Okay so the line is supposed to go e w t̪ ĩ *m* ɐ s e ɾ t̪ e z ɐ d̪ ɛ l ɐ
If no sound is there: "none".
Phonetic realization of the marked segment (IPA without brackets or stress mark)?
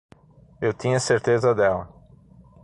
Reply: ɲ